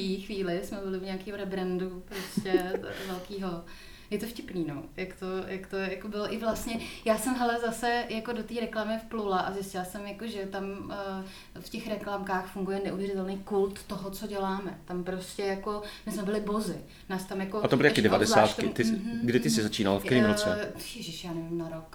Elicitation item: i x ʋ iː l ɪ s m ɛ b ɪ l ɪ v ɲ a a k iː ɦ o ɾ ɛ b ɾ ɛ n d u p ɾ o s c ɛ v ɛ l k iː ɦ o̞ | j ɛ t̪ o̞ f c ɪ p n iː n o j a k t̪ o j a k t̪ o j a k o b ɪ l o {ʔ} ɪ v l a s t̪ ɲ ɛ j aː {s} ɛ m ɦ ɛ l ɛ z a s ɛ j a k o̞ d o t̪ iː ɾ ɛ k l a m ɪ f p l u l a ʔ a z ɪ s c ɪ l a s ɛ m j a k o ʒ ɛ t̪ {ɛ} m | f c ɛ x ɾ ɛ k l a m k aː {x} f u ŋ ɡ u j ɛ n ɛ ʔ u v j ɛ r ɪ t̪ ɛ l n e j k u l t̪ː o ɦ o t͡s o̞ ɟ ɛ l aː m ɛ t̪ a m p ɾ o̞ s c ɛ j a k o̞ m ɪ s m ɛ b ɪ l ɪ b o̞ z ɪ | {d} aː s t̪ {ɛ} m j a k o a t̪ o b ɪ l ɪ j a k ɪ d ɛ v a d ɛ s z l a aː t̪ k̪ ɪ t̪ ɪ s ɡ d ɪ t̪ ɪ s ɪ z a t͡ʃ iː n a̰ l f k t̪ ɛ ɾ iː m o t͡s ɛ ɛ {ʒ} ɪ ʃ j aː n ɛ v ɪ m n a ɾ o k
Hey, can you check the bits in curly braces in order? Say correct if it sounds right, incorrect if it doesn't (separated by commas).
correct, correct, incorrect, correct, incorrect, incorrect, correct